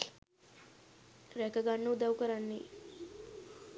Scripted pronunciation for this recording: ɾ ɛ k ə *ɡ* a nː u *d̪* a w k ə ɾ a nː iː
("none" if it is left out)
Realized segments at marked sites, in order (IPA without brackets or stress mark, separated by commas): ɡ, d̪